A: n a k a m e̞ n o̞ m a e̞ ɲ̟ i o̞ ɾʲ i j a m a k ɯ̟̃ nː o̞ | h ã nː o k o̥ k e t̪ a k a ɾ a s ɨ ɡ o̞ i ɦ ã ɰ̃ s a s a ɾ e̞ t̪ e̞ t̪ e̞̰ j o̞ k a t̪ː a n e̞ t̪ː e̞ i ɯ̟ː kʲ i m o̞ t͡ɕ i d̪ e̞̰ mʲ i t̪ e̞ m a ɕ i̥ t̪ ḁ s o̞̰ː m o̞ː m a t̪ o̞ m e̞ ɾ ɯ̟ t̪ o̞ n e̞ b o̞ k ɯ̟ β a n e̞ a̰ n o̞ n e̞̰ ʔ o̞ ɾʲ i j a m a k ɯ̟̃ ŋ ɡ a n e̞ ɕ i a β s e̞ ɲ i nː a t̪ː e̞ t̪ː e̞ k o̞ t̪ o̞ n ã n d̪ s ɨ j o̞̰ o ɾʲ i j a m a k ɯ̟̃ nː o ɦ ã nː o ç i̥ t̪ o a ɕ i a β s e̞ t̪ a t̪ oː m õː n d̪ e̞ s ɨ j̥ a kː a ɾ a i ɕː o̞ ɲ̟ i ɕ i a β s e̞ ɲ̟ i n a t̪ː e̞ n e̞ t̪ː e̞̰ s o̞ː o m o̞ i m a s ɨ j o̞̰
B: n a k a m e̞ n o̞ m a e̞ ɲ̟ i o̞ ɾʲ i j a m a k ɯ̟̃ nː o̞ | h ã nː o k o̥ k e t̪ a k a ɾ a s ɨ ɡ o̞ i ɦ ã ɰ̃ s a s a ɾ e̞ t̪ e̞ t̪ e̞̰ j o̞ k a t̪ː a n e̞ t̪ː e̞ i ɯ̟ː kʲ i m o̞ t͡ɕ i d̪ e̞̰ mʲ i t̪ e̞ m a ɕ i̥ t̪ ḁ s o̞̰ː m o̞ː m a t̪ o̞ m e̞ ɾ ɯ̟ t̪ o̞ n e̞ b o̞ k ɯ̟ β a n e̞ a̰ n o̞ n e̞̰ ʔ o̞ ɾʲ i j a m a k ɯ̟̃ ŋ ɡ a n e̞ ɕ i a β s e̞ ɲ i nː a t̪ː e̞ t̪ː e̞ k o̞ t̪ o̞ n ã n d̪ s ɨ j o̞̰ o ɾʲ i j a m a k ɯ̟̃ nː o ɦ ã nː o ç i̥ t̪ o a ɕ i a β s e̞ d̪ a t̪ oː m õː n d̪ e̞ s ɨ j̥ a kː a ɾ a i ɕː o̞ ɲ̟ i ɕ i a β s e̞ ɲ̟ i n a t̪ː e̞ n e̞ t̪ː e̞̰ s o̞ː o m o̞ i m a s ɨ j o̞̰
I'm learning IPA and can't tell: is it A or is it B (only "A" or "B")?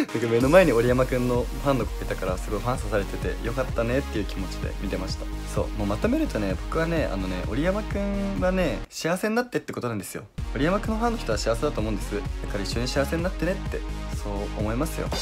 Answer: B